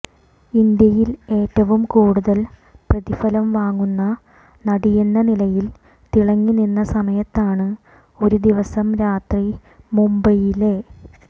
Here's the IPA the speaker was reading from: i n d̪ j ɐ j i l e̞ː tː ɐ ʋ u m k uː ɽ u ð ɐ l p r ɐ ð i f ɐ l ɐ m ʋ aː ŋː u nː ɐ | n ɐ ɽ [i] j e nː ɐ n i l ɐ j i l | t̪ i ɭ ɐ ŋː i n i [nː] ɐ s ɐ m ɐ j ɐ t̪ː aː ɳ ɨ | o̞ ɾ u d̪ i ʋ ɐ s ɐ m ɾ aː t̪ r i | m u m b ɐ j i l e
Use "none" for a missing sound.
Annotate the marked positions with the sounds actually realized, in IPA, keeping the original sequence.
i, nː

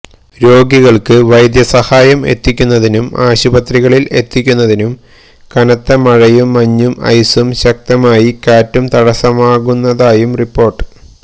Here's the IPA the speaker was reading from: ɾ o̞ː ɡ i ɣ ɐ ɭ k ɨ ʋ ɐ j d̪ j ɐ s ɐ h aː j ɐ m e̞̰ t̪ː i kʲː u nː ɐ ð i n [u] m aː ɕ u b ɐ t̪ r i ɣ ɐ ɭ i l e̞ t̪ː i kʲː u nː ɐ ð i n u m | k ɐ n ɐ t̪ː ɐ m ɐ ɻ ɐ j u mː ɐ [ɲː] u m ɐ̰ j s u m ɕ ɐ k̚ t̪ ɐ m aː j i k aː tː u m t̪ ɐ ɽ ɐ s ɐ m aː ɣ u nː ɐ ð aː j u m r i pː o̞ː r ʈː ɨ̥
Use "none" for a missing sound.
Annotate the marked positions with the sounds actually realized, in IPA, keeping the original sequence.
u, ɲː

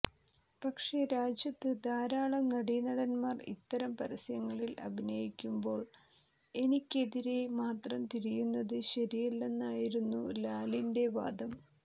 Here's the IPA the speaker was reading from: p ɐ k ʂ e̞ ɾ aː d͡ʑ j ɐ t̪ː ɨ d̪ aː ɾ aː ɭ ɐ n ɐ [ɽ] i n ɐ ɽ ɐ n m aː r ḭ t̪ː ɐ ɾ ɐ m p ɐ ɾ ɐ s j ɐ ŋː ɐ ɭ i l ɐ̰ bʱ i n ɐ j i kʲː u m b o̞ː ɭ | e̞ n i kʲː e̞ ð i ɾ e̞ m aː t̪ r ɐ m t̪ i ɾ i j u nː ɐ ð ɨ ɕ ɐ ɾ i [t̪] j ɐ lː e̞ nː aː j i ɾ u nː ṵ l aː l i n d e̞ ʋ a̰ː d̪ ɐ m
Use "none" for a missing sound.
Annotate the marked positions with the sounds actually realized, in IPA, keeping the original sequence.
ɽ, none

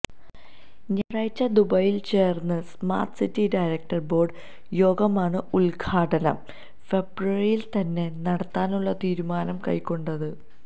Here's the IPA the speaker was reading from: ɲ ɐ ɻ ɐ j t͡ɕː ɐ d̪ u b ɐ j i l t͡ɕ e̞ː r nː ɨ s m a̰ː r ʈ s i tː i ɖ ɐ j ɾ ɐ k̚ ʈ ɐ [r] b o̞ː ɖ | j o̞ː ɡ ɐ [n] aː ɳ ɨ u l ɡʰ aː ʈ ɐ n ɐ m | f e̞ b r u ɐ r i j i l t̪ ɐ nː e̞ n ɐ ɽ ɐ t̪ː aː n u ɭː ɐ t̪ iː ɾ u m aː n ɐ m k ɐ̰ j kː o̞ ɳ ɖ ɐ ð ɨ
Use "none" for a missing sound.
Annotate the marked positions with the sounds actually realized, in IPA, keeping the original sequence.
r, m

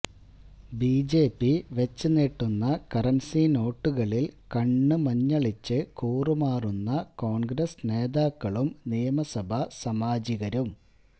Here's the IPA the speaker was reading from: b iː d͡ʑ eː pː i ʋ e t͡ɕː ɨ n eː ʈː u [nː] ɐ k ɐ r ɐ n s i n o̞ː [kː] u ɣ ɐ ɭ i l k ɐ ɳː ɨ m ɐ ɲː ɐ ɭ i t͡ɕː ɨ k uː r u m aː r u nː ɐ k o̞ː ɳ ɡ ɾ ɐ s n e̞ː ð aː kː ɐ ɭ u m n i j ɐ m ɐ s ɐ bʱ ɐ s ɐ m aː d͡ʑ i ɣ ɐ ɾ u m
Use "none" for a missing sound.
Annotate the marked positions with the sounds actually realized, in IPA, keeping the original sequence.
nː, ʈː

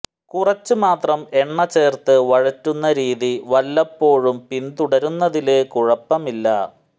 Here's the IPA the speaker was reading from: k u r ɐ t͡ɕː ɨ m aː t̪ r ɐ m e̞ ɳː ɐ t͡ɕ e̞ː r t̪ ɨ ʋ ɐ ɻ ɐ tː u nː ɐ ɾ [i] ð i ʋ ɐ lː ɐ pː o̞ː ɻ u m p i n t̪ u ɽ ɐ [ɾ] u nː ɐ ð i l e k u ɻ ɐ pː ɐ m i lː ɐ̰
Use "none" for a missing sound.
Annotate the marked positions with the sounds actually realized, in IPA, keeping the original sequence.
iː, ɾ

